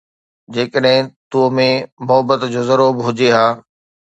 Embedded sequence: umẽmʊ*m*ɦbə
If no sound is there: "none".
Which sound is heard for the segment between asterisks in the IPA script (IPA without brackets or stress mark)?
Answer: none